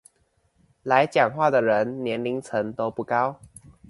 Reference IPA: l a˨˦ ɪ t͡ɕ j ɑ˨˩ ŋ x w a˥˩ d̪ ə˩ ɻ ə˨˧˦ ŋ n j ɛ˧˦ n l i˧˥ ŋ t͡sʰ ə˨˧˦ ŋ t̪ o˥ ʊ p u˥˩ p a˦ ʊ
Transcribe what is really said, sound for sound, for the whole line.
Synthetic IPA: l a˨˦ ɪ t͡ɕ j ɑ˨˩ ŋ x w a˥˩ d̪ ə˩ ɻ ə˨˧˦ n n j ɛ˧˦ n l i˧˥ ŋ t͡sʰ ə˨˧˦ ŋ t̪ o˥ ʊ p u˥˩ k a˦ ʊ